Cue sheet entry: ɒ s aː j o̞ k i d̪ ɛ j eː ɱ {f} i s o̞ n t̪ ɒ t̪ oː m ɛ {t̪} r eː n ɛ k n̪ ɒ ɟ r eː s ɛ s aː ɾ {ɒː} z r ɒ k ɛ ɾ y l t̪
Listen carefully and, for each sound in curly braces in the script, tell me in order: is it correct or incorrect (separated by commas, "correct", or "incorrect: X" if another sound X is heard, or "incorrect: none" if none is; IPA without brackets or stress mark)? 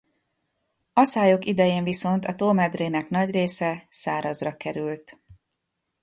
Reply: incorrect: v, incorrect: d̪, incorrect: ɒ